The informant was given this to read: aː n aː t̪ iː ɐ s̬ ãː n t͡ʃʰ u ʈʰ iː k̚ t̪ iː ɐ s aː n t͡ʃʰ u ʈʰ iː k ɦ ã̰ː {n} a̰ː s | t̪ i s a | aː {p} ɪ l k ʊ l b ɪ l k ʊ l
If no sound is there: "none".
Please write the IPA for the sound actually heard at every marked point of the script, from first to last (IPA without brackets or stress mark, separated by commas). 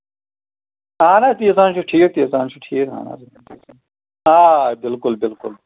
n, b